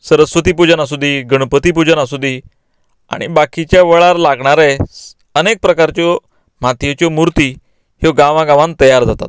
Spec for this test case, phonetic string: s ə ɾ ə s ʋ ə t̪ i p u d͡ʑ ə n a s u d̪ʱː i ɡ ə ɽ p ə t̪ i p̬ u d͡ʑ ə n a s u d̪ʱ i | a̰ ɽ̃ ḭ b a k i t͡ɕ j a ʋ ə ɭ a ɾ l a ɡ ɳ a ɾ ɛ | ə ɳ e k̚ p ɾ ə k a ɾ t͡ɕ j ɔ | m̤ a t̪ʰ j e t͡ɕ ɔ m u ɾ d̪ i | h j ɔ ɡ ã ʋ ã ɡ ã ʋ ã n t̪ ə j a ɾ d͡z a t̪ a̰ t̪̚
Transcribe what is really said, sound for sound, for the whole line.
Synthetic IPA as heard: s ə ɾ ə s ʋ ə t̪ i p u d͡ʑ ə n a s u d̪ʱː i ɡ ə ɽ p ə t̪ i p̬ u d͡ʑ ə n a s u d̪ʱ i | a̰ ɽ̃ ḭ b a k i t͡ɕ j a ʋ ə ɭ a ɾ l a ɡ ɳ a ɾ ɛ | ə n e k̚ p ɾ ə k a ɾ t͡ɕ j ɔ | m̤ a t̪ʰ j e t͡ɕ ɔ m u ɾ t̪ i | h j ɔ ɡ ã ʋ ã ɡ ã ʋ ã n t̪ ə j a ɾ d͡z a t̪ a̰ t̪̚

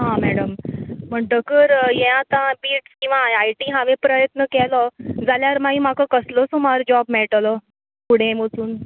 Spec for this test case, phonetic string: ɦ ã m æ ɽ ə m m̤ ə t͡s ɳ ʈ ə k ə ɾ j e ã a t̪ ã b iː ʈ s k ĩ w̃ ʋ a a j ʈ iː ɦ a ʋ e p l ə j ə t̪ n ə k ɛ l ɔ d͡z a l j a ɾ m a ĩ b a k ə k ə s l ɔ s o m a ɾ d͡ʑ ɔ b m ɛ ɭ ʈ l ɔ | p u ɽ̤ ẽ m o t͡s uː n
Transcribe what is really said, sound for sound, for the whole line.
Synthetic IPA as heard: ɦ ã m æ ɽ ə m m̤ ə ɳ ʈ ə k ə ɾ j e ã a t̪ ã b iː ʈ s k ĩ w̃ ʋ a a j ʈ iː ɦ a ʋ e p ɾ ə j ə t̪ n ə k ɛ l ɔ d͡z a l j a ɾ m a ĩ m a k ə k ə s l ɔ s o m a ɾ d͡ʑ ɔ b m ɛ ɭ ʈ l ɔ | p u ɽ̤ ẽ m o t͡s uː n

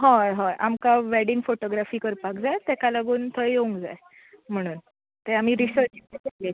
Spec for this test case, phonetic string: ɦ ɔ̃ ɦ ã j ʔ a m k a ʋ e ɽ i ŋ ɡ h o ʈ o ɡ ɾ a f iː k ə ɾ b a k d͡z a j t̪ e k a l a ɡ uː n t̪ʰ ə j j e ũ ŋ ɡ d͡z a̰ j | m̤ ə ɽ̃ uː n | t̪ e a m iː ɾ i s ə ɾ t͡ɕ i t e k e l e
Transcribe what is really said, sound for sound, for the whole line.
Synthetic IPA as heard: ɦ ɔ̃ ɦ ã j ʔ a m k a ʋ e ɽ i ŋ ɡ f o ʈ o ɡ ɾ a f iː k ə ɾ p a k d͡z a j t̪ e k a l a ɡ uː n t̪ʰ ə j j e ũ ŋ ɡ d͡z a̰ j | m̤ ə ɽ̃ uː n | t̪ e a m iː ɾ i s ə ɾ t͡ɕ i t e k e l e

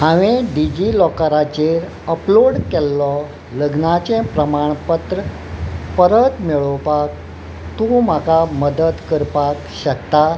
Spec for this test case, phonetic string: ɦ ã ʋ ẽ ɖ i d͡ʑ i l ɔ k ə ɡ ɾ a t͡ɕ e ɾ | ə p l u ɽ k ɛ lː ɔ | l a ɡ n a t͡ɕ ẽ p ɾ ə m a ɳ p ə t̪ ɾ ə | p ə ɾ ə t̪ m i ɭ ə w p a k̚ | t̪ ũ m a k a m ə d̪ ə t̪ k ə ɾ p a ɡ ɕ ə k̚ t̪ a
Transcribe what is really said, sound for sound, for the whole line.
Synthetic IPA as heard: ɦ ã ʋ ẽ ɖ i d͡ʑ i l ɔ k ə ɾ a t͡ɕ e ɾ | ə p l o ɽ k ɛ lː ɔ | l ə ɡ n a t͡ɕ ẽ p ɾ ə m a ɳ p ə t̪ ɾ ə | p ə ɾ ə t̪ m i ɭ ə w p a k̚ | t̪ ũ m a k a m ə d̪ ə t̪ k ə ɾ p a k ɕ ə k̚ t̪ a

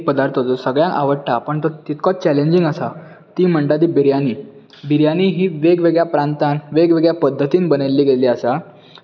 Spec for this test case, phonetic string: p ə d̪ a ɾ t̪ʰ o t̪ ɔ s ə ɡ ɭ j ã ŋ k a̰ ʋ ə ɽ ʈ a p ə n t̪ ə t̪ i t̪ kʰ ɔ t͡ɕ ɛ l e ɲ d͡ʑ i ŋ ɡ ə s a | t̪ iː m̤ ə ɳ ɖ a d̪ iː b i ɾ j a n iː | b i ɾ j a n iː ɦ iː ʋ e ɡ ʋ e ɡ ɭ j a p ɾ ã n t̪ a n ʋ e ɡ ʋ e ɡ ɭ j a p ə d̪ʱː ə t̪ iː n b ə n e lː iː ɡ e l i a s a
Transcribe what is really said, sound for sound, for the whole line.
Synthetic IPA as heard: p ə d̪ a ɾ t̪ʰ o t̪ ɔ s ə ɡ ɭ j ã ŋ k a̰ ʋ ə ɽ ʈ a p ə ɳ t̪ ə t̪ i t̪ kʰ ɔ t͡ɕ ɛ l e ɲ d͡ʑ i ŋ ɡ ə s a | t̪ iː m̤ ə ɳ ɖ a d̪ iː b i ɾ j a n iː | b i ɾ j a n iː ɦ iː ʋ e ɡ ʋ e ɡ ɭ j a p ɾ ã n t̪ a n ʋ e ɡ ʋ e ɡ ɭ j a p ə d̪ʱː ə t̪ iː n b ə n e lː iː ɡ e l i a s a

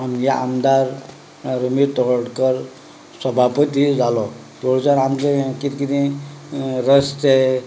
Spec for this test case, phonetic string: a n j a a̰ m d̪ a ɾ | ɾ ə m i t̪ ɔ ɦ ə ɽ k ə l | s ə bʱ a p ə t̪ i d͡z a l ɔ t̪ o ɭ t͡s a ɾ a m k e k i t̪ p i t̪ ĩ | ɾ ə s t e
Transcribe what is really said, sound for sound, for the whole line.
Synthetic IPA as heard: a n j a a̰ m d̪ a ɾ | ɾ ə m i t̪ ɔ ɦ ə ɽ k ə ɾ | s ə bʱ a p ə t̪ i d͡z a l ɔ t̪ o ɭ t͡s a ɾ a m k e k i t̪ k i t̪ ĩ | ɾ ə s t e

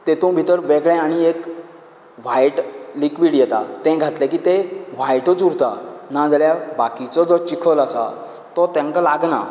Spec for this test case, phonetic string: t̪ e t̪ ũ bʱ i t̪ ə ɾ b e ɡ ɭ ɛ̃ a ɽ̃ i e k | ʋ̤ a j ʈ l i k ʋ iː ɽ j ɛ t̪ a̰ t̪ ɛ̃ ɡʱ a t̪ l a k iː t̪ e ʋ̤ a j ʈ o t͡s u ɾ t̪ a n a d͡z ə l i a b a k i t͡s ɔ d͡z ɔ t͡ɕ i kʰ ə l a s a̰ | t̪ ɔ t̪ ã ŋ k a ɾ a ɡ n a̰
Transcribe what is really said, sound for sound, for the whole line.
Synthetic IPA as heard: t̪ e t̪ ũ bʱ i t̪ ə ɾ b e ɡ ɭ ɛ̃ a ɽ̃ i e k | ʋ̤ a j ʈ l i k ʋ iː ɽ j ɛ t̪ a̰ t̪ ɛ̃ ɡʱ a t̪ l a k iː t̪ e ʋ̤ a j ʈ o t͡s u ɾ t̪ a n a d͡z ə l j a b a k i t͡s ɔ d͡z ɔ t͡ɕ i kʰ ə l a s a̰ | t̪ ɔ t̪ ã ŋ k a l a ɡ n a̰

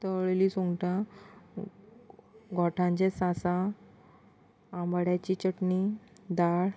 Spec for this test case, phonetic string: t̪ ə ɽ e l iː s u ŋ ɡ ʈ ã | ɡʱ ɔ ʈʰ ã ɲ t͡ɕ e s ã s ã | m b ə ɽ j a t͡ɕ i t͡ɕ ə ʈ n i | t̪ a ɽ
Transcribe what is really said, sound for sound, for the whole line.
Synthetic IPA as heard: t̪ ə ɭ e l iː s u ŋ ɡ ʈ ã | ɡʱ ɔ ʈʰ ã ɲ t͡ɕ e s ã s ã | m b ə ɽ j a t͡ɕ i t͡ɕ ə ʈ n i | d̪ a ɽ

